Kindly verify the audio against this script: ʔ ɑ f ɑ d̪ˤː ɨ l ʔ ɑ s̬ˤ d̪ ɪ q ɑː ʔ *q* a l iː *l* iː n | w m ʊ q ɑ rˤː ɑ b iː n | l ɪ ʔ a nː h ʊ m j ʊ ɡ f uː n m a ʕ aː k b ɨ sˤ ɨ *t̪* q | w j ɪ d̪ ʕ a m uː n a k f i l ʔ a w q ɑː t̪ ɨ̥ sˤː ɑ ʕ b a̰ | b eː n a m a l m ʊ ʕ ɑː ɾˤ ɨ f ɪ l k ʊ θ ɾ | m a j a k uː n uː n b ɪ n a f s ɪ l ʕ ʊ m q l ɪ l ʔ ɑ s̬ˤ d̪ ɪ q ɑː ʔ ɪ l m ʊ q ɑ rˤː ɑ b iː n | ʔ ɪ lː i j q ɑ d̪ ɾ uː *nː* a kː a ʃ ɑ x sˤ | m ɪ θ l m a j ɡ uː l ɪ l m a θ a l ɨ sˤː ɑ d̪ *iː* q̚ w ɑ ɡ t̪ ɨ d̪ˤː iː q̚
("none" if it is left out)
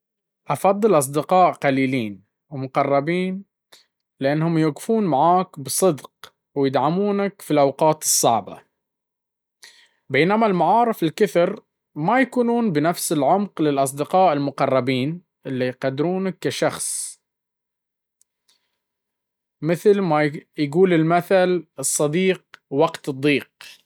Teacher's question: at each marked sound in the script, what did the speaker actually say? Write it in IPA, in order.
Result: q, l, d̪, n, iː

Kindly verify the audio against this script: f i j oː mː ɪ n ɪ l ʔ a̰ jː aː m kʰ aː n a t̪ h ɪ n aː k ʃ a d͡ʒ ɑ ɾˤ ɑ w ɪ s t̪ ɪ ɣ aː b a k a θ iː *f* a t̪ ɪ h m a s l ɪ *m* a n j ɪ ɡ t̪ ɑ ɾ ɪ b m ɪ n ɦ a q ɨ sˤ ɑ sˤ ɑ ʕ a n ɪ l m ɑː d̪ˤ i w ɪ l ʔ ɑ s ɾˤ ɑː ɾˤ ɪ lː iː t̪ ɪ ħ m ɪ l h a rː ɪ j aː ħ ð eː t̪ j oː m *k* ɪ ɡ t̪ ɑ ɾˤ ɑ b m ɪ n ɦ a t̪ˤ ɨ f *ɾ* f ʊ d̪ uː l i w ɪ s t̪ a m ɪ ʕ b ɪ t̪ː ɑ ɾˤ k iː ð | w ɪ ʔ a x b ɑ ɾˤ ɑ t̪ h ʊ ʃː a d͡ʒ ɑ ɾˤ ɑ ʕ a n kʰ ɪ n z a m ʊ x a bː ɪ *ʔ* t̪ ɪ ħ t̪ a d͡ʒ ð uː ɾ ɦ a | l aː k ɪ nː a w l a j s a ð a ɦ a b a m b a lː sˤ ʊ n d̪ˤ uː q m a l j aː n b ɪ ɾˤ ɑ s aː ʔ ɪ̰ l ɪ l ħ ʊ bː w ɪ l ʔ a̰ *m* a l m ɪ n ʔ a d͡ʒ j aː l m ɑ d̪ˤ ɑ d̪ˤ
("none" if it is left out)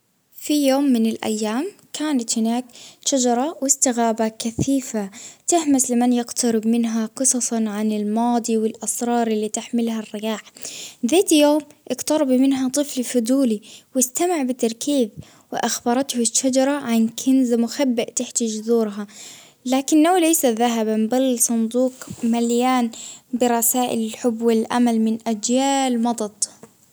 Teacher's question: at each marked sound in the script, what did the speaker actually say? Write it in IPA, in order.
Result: f, m, ʔ, l, ʔ, m

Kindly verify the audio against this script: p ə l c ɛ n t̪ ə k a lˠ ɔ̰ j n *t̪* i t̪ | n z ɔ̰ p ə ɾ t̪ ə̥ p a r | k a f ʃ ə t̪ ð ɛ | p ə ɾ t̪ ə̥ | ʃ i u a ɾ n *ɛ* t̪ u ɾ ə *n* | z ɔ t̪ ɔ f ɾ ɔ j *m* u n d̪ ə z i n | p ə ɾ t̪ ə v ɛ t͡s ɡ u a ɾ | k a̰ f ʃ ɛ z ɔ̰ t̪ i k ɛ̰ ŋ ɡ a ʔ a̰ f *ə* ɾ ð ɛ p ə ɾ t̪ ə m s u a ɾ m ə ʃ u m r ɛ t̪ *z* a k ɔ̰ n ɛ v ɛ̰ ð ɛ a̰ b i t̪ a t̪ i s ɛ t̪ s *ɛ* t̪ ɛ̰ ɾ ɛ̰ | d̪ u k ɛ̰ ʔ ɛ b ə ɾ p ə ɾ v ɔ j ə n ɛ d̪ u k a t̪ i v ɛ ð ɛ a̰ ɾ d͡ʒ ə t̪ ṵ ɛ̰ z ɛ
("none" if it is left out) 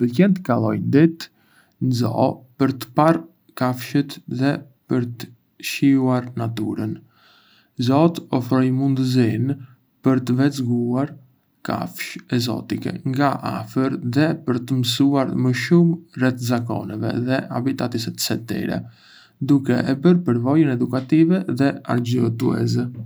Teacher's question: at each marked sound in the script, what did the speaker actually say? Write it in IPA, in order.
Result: d̪, a, n, m, ə, z, ɛ

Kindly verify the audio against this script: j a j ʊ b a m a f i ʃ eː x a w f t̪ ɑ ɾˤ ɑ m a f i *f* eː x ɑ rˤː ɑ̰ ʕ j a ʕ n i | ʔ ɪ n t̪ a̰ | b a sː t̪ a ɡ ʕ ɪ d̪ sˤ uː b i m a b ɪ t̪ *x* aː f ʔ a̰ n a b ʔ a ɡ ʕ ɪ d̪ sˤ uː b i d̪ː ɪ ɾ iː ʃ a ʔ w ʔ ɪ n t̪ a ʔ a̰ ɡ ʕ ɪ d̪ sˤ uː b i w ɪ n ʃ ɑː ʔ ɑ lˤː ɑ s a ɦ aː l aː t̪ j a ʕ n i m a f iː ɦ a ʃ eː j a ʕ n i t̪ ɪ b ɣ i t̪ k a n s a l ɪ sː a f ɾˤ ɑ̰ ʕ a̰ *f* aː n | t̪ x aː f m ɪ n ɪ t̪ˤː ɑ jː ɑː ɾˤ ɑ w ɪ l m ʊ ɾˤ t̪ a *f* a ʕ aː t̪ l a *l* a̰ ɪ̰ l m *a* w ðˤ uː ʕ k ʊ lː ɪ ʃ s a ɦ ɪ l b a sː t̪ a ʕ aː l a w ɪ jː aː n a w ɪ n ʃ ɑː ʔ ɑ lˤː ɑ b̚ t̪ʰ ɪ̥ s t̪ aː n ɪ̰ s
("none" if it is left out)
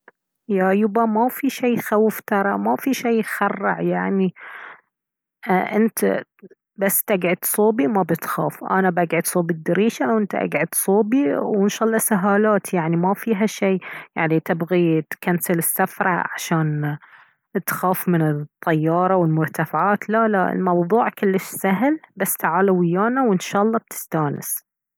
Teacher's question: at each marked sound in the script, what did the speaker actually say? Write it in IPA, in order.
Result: ʃ, x, ʃ, f, l, ɑ

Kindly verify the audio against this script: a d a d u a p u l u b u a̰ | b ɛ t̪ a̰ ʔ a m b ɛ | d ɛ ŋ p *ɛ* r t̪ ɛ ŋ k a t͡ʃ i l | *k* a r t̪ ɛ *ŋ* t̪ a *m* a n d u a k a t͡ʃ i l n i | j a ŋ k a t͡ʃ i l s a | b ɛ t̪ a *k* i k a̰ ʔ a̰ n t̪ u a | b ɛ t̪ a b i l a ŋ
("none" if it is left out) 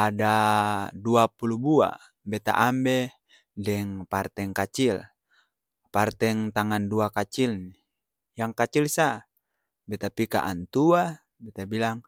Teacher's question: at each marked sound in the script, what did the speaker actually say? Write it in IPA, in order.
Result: a, p, ŋ, ŋ, p

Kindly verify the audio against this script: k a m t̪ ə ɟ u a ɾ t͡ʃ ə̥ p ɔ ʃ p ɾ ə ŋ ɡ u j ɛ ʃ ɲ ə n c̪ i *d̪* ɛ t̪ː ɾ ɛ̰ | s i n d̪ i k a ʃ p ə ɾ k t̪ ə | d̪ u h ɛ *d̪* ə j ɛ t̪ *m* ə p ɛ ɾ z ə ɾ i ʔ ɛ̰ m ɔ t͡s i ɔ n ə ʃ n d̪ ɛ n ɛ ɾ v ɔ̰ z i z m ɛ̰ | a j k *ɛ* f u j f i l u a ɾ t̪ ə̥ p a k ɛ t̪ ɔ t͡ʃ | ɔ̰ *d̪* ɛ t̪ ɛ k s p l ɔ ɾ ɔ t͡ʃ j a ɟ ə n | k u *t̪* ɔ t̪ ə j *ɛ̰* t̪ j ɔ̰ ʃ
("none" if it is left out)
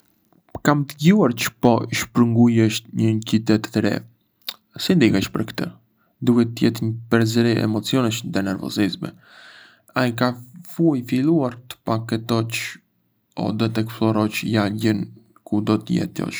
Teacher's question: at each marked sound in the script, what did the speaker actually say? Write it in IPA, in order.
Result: t̪, t̪, ɲ, a, d̪, d̪, ɛ̰

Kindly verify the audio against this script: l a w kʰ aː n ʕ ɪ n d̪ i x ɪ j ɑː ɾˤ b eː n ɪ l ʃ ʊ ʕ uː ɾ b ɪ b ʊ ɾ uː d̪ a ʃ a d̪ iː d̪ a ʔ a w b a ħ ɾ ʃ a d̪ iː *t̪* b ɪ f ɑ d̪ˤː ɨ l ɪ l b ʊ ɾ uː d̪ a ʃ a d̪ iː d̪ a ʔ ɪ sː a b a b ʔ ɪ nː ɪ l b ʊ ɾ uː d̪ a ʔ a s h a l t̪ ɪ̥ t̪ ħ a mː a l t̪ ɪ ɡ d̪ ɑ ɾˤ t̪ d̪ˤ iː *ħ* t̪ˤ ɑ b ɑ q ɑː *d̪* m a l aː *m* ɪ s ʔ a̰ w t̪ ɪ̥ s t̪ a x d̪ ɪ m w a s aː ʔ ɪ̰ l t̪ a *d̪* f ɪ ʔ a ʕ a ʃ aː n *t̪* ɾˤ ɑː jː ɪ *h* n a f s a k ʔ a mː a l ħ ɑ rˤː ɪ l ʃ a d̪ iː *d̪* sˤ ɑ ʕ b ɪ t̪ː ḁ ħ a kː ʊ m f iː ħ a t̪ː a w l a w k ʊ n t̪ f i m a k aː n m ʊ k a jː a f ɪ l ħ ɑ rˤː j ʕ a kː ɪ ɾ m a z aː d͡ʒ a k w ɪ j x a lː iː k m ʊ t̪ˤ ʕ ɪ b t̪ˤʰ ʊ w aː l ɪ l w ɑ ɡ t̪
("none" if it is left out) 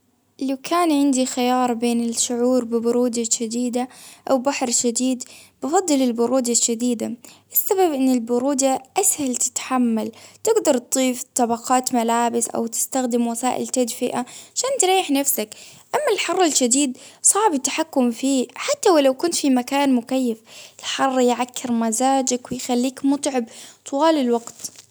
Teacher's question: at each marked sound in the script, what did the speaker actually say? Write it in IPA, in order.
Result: d̪, f, t̪, b, d̪, t̪, ħ, d̪

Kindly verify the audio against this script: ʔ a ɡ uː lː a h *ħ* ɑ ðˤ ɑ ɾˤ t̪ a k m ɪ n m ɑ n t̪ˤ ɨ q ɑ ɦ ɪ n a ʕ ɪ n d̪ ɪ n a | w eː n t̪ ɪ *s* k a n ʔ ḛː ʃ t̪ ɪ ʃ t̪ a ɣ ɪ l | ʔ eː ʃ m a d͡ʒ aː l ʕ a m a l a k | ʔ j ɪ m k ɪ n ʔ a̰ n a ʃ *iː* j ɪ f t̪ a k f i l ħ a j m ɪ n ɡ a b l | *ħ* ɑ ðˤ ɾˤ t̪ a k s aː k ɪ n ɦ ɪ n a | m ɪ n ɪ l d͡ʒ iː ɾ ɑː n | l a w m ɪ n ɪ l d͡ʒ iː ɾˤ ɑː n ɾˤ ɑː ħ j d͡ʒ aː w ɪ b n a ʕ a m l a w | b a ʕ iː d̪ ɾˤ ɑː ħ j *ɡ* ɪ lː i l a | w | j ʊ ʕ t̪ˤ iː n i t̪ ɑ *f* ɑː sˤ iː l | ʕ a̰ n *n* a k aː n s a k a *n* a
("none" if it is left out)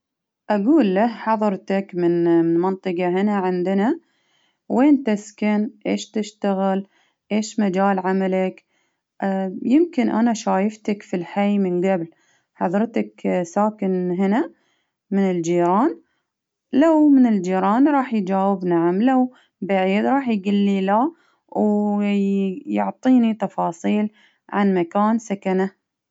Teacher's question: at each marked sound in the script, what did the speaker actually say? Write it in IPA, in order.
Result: ħ, s, aː, ħ, ɡ, f, m, n

